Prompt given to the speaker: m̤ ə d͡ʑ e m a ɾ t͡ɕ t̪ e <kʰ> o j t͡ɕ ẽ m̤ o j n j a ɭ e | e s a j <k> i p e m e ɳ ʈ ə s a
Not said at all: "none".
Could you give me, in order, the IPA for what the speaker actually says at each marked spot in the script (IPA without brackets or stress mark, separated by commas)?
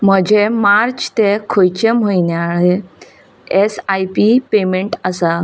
kʰ, p